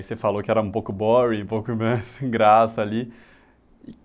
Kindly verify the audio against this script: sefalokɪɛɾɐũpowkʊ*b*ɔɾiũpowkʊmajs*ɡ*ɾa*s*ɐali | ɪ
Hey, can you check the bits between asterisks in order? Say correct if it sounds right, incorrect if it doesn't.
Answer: correct, correct, correct

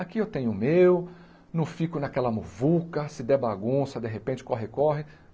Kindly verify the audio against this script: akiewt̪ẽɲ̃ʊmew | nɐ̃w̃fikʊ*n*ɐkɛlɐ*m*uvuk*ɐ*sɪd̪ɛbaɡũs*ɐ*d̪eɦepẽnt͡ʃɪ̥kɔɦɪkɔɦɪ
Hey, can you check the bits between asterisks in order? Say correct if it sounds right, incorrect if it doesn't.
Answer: correct, correct, correct, correct

